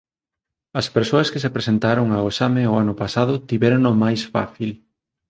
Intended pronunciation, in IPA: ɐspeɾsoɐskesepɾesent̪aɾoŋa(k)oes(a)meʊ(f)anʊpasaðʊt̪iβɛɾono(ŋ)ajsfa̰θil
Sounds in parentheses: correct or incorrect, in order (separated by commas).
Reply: incorrect, correct, incorrect, incorrect